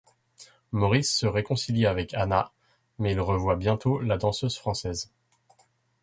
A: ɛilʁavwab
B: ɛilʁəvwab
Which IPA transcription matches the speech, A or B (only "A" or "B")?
B